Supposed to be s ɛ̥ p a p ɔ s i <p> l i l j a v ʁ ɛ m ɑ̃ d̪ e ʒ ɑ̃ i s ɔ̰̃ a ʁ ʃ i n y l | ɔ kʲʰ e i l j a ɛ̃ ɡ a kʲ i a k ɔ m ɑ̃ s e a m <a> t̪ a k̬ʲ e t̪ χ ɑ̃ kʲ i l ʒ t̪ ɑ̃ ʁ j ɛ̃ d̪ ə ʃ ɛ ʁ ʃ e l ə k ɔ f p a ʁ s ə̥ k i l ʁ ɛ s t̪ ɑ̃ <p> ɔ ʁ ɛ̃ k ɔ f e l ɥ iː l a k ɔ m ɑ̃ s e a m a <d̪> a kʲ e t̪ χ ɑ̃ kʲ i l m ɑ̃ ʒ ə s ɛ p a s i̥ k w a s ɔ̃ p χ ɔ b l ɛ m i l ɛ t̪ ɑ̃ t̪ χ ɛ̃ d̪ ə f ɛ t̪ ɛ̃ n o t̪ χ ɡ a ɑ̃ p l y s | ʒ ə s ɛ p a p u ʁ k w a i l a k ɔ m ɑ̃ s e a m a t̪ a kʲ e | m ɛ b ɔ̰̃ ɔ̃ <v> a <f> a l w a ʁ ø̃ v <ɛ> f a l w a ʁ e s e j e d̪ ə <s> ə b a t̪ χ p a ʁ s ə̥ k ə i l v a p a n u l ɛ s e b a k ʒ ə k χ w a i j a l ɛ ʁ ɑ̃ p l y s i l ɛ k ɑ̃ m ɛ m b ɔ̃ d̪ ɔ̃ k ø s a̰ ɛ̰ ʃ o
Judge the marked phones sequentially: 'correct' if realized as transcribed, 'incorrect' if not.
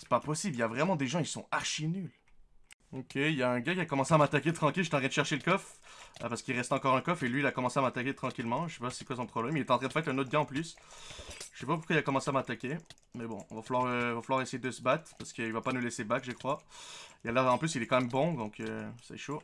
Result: incorrect, correct, incorrect, incorrect, correct, correct, incorrect, correct

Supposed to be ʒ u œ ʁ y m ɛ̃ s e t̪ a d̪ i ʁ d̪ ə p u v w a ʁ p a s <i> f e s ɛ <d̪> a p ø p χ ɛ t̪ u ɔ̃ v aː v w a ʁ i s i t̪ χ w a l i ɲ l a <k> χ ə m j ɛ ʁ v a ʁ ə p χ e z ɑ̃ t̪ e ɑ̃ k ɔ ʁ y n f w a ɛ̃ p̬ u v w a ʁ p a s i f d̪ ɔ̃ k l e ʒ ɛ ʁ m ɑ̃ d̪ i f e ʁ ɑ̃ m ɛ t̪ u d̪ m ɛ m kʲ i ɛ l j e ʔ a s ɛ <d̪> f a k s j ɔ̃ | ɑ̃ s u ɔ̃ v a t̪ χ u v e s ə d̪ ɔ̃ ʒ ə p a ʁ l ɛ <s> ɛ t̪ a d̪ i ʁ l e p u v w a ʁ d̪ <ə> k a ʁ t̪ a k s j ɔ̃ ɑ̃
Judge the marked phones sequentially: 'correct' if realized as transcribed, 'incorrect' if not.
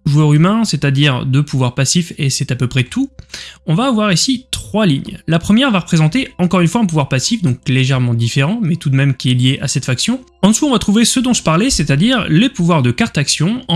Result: correct, incorrect, incorrect, incorrect, correct, correct

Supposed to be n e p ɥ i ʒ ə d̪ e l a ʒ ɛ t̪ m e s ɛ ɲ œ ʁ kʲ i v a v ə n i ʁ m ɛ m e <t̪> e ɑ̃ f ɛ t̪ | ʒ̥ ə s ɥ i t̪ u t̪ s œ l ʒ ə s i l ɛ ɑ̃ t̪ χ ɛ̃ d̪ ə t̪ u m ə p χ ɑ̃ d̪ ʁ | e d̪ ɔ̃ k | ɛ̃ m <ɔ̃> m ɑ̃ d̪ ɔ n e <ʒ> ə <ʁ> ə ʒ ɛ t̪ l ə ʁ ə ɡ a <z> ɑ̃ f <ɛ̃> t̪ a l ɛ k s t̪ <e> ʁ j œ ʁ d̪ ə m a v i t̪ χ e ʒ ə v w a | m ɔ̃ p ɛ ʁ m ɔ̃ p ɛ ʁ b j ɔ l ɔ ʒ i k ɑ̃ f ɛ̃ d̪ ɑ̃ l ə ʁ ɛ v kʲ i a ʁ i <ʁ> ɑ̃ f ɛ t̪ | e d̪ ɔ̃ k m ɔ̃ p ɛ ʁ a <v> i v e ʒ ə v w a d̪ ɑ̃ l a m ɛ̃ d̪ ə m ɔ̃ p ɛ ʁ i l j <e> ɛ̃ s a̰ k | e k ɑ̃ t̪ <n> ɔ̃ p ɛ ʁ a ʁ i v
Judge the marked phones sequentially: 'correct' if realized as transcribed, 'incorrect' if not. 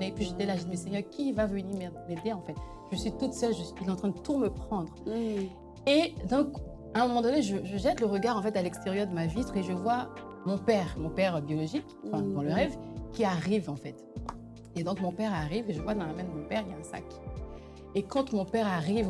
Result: incorrect, incorrect, correct, incorrect, incorrect, incorrect, correct, incorrect, incorrect, incorrect, incorrect

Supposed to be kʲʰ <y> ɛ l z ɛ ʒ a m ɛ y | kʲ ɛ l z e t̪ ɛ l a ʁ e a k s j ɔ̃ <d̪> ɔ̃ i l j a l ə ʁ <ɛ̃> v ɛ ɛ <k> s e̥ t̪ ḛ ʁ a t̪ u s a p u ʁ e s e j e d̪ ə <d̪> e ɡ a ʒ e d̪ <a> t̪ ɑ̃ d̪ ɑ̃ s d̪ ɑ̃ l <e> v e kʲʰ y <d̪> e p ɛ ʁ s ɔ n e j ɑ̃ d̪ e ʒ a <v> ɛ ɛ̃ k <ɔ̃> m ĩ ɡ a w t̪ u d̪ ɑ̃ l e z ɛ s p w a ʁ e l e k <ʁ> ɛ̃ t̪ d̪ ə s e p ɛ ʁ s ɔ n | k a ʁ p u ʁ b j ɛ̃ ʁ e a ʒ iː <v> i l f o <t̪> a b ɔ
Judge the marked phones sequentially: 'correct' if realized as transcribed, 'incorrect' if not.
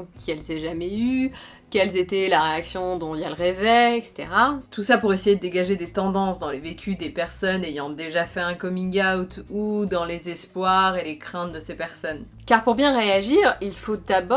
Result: incorrect, correct, incorrect, correct, correct, incorrect, correct, correct, incorrect, incorrect, incorrect, incorrect, incorrect

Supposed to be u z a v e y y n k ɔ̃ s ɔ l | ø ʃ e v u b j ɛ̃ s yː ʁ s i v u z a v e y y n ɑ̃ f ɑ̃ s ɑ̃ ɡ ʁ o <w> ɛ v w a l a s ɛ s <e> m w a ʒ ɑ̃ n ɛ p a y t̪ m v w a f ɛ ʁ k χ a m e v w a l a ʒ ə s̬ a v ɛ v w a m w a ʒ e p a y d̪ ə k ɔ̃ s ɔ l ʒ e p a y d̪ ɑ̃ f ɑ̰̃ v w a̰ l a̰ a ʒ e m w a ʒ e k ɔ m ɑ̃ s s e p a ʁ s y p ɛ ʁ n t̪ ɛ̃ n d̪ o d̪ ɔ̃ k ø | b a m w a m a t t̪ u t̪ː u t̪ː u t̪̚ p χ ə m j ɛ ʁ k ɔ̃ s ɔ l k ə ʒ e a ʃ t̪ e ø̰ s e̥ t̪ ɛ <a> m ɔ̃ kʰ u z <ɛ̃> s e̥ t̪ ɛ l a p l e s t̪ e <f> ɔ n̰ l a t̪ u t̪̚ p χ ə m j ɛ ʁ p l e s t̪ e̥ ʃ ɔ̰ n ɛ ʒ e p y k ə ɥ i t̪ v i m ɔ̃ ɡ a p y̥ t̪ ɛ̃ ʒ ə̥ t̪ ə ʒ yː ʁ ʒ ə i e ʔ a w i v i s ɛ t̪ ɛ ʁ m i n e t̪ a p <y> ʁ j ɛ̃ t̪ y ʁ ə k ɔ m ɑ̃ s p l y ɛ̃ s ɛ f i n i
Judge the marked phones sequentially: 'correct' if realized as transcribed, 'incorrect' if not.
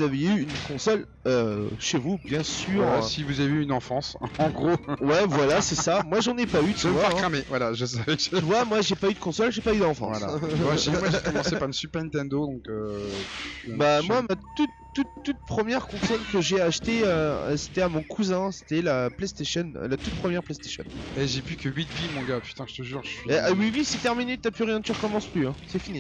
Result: correct, incorrect, correct, correct, incorrect, correct

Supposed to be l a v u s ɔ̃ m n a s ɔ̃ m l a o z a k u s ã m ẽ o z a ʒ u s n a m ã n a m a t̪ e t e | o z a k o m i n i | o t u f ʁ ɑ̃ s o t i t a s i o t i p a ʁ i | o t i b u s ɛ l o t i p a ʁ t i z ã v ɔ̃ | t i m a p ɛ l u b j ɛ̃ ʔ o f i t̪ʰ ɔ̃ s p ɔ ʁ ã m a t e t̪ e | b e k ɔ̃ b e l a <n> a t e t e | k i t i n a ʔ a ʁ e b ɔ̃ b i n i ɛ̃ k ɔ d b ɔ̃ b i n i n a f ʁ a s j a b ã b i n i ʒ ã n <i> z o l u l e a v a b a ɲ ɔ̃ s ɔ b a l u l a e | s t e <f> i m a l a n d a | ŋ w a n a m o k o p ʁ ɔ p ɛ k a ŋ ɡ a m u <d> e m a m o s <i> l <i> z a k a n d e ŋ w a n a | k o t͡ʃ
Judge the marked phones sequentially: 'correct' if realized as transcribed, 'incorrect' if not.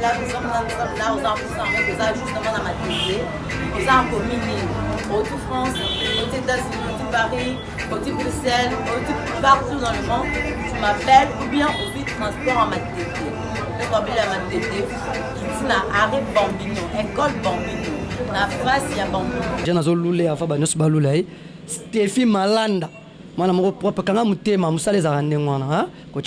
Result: incorrect, incorrect, correct, incorrect, incorrect, incorrect

